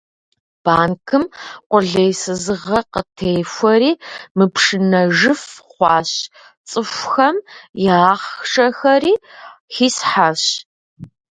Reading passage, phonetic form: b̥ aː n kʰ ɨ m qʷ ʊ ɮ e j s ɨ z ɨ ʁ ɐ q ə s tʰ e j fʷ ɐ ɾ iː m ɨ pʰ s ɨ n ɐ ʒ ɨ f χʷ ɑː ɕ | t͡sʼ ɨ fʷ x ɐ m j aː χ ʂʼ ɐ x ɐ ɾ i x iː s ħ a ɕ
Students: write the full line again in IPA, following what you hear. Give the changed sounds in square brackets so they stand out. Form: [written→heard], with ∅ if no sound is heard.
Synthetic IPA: b̥ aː n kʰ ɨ m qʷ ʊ ɮ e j s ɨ z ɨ ʁ ɐ q ə [s→∅] tʰ e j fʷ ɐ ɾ iː m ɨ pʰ [s→ʂ] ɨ n ɐ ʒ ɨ f χʷ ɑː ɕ | t͡sʼ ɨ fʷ x ɐ m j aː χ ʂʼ ɐ x ɐ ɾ [i→iː] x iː s ħ a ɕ